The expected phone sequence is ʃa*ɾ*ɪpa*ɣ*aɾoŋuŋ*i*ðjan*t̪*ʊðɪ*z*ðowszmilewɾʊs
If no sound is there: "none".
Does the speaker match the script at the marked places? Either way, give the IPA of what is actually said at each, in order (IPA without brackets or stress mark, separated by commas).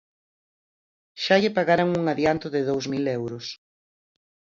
ʎ, ɣ, a, t̪, none